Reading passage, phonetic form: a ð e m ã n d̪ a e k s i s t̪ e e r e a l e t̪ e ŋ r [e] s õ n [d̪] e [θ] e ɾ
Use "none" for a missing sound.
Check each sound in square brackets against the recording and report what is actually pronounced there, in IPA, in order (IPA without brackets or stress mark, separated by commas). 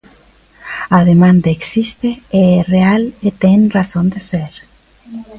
a, d̪, s